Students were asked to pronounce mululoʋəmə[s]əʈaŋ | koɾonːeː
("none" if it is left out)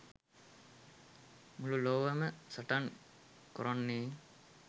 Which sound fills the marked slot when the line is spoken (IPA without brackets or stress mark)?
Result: s